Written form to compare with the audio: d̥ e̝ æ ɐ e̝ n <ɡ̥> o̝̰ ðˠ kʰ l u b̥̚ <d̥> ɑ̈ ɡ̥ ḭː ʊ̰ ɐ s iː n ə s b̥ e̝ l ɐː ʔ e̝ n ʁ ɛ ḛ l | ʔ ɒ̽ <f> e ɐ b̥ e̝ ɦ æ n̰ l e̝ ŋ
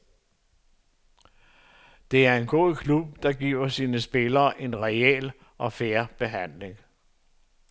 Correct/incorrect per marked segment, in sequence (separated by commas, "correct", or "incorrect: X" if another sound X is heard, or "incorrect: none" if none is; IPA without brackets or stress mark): correct, correct, correct